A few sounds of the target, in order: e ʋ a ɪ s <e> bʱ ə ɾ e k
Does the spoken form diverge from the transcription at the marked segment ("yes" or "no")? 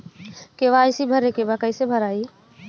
yes